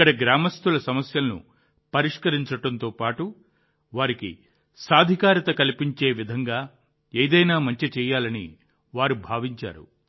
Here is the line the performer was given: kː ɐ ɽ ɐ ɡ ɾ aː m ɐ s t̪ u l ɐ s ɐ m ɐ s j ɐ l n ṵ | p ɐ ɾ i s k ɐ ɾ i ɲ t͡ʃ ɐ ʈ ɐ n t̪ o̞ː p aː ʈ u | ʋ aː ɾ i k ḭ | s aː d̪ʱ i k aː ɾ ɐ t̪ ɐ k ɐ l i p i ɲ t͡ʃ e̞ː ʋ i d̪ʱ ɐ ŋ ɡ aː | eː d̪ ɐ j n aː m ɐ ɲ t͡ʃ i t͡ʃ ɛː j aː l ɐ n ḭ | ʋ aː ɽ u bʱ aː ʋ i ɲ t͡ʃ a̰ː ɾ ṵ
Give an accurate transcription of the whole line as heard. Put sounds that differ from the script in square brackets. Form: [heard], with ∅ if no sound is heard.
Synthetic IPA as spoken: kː ɐ ɽ ɐ ɡ ɾ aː m ɐ s t̪ u l ɐ s ɐ m ɐ s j ɐ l n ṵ | p ɐ ɾ i [ʂ] k ɐ ɾ i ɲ t͡ʃ ɐ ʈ ɐ n t̪ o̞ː p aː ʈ u | ʋ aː ɾ i k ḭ | s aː d̪ʱ i k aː ɾ ɐ t̪ ɐ k ɐ l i p i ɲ t͡ʃ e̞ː ʋ i d̪ʱ ɐ ŋ ɡ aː | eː d̪ ɐ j n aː m ɐ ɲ t͡ʃ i t͡ʃ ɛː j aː l ɐ n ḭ | ʋ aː [ɾ] u bʱ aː ʋ i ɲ t͡ʃ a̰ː ɾ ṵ